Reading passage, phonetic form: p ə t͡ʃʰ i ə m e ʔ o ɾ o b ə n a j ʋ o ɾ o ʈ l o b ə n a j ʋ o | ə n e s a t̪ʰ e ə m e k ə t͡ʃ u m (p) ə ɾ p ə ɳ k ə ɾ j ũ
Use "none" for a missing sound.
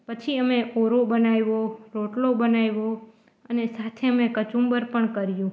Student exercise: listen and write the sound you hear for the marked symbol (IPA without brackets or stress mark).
b